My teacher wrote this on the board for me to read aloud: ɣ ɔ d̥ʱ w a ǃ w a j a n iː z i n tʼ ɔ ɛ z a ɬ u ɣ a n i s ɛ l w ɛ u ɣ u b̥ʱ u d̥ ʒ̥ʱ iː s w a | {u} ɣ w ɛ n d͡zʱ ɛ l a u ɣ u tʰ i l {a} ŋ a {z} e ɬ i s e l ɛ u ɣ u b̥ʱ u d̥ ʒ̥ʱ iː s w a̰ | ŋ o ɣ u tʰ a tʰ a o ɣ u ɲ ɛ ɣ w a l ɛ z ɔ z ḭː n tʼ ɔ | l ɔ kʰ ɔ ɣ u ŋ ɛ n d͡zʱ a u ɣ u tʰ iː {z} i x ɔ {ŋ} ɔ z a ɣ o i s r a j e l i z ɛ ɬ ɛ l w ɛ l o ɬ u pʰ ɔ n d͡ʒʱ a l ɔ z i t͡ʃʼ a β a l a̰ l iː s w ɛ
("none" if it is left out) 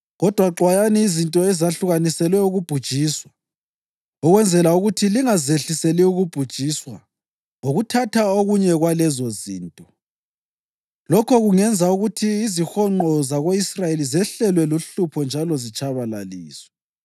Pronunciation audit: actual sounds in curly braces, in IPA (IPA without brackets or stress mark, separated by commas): ɔ, i, z, z, ŋ͡ǃ